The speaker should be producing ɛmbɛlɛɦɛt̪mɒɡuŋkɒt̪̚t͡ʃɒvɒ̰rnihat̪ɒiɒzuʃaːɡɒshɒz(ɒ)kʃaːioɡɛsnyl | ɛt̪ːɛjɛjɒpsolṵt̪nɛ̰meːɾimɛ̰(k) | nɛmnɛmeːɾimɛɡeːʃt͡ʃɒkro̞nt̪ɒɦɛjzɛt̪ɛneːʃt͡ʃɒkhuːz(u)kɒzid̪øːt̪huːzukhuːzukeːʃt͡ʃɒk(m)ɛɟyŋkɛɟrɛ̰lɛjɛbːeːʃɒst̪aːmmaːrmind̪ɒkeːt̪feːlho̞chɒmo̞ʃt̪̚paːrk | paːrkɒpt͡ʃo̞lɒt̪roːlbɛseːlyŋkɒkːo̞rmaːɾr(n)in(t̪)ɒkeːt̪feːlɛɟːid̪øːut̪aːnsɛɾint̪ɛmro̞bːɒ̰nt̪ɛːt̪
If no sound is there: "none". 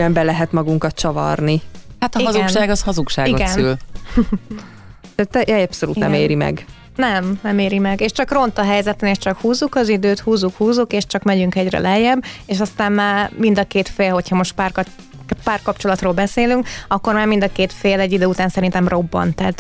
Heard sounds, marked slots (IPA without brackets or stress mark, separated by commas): u, ɡ, u, m, m, d̪